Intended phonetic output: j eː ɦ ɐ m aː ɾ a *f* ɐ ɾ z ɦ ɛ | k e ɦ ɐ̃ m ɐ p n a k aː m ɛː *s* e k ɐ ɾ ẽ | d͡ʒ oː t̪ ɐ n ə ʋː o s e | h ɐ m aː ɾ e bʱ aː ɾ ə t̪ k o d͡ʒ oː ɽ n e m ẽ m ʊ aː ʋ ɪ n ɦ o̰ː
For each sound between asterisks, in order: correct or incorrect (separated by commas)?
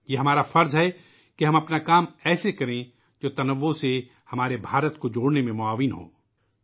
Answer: correct, correct